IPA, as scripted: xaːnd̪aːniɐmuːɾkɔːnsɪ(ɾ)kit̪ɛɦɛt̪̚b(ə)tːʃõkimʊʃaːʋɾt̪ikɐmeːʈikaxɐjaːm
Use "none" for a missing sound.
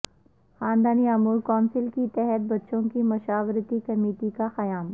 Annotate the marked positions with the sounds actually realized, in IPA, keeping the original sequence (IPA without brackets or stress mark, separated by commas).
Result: l, ɐ